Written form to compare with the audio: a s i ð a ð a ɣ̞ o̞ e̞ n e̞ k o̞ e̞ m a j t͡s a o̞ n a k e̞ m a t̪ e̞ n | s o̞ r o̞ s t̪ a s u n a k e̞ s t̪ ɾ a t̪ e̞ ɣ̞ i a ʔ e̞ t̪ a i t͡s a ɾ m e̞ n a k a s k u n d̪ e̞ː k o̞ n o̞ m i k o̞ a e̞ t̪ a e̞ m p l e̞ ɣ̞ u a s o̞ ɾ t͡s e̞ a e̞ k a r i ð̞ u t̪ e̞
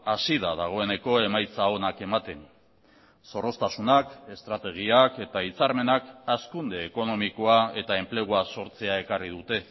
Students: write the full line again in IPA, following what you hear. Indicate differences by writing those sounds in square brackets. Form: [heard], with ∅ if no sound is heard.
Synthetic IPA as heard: a s i ð a ð a ɣ̞ o̞ e̞ n e̞ k o̞ e̞ m a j t͡s a o̞ n a k e̞ m a t̪ e̞ n | s o̞ r o̞ s t̪ a s u n a k e̞ s t̪ ɾ a t̪ e̞ ɣ̞ i a [k] e̞ t̪ a i t͡s a ɾ m e̞ n a k a s k u n d̪ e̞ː k o̞ n o̞ m i k o̞ a e̞ t̪ a e̞ m p l e̞ ɣ̞ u a s o̞ ɾ t͡s e̞ a e̞ k a r i ð̞ u t̪ e̞